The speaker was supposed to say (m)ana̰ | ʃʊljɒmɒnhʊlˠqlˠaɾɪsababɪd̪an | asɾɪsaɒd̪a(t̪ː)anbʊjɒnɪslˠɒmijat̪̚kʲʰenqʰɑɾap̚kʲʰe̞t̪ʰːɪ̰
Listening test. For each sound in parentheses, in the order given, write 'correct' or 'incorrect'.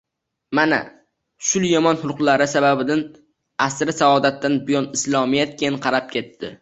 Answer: correct, correct

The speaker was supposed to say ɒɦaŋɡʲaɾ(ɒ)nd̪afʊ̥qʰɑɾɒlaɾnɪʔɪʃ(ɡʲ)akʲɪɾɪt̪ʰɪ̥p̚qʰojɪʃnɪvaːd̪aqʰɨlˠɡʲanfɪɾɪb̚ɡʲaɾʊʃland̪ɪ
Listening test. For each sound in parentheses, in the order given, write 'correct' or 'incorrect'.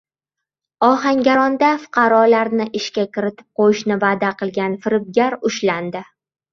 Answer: correct, incorrect

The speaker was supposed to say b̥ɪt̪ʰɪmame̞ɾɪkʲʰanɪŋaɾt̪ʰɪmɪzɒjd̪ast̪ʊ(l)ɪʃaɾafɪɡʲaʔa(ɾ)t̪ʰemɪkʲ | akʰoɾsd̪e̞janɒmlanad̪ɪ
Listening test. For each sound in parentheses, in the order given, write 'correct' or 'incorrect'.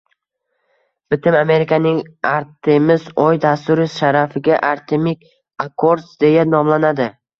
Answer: incorrect, correct

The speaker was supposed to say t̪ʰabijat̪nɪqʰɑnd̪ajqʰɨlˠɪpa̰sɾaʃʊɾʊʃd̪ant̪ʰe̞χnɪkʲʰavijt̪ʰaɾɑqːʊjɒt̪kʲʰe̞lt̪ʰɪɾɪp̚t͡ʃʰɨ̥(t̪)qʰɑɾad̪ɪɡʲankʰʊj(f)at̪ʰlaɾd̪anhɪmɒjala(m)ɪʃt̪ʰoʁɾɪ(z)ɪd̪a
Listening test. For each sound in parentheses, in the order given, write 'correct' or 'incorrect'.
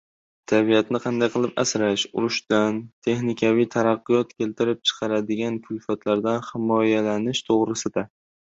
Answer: incorrect, correct, incorrect, incorrect

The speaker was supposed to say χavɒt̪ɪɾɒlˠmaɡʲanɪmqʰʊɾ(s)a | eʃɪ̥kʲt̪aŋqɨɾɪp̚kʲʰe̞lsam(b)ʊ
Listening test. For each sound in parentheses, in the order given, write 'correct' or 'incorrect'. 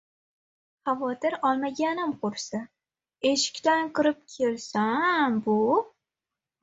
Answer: correct, correct

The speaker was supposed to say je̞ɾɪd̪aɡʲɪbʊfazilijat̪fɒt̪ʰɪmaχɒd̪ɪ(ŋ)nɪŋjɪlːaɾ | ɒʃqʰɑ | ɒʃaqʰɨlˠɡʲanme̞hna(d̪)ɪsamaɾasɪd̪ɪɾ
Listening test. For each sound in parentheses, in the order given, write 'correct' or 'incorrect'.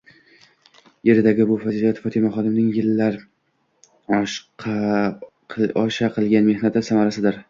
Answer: incorrect, incorrect

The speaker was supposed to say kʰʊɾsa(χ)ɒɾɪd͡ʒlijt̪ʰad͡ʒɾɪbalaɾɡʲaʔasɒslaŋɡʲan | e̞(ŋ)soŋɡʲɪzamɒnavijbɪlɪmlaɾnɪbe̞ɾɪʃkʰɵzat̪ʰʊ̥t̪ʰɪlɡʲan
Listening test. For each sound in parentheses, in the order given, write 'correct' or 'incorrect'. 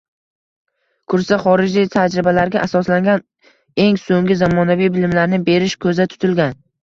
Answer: correct, correct

